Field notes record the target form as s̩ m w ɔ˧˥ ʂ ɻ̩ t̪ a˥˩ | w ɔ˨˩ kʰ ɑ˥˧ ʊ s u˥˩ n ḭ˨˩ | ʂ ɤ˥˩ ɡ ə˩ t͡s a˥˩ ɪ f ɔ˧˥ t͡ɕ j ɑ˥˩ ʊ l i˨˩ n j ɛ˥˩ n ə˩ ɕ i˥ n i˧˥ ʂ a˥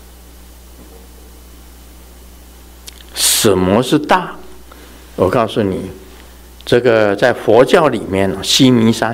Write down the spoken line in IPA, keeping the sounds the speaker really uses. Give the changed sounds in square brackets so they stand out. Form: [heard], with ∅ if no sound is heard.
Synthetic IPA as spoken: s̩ m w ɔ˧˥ ʂ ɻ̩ t̪ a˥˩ | w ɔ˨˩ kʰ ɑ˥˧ ʊ s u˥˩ n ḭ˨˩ | [ʈ͡ʂ] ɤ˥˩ ɡ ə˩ t͡s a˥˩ ɪ f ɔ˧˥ t͡ɕ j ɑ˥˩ ʊ l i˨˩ [m] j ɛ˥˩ n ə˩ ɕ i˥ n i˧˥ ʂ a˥